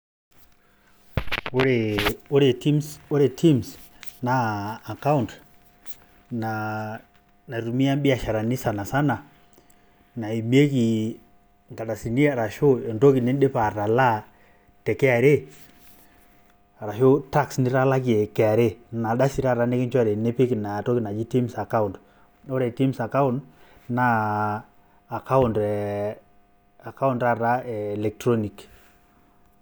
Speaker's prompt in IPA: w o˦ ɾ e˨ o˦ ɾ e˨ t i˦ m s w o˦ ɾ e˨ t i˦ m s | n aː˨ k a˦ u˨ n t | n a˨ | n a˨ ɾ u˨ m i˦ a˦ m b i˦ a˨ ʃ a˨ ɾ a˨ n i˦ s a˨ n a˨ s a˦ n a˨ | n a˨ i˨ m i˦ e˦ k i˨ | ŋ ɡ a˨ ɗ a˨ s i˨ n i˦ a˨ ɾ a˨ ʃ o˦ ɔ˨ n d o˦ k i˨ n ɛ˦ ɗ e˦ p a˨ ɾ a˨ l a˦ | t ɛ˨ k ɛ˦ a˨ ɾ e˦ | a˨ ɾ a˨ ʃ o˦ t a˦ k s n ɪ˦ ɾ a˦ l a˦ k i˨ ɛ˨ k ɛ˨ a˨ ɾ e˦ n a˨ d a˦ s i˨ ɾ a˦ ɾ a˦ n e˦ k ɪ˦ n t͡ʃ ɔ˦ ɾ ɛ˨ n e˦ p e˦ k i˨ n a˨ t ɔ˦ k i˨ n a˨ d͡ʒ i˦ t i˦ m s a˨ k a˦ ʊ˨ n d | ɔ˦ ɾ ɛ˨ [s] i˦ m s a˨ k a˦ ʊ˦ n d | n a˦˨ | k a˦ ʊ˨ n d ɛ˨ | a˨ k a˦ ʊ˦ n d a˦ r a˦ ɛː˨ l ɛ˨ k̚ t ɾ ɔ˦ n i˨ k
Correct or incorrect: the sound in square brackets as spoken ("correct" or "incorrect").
incorrect